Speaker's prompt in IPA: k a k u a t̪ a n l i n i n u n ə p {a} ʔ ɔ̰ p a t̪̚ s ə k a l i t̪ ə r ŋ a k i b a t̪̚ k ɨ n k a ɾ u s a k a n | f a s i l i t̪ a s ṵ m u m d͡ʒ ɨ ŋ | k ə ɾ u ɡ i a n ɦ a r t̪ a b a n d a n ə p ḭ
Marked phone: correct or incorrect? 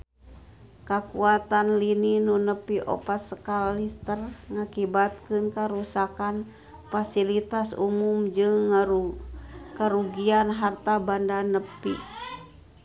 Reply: incorrect: i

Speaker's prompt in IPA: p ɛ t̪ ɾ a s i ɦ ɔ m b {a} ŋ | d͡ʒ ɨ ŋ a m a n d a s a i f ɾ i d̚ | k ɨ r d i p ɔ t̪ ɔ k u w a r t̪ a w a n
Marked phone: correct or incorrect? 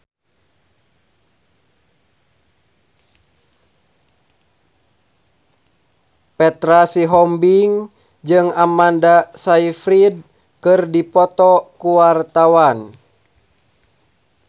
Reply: incorrect: i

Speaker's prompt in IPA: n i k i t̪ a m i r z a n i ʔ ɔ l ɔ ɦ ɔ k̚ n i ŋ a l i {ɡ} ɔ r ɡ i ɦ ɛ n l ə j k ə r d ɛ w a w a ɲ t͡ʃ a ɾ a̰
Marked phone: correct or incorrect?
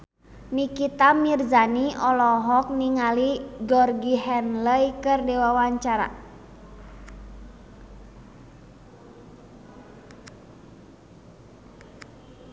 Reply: correct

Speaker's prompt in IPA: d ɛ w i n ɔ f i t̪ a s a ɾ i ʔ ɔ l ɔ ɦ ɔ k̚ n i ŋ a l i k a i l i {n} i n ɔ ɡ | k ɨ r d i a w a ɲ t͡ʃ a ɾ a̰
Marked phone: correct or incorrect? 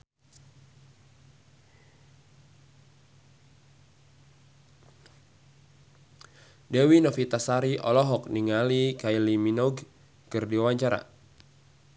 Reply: incorrect: m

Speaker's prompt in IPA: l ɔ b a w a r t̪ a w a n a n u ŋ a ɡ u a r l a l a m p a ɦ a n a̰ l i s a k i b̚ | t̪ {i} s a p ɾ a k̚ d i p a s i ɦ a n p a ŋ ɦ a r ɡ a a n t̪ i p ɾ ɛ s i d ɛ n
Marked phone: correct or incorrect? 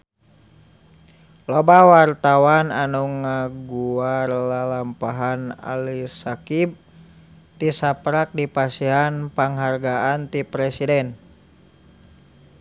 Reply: correct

